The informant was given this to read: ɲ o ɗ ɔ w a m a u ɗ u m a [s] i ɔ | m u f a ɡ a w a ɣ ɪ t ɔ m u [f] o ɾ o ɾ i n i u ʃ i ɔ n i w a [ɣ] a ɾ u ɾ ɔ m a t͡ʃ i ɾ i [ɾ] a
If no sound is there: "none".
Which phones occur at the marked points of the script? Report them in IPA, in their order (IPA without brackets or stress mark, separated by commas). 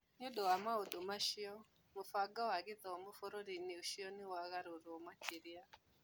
ʃ, f, ɣ, none